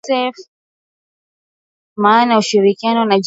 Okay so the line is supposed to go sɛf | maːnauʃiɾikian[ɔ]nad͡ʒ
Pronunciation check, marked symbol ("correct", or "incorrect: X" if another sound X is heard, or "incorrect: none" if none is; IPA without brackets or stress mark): correct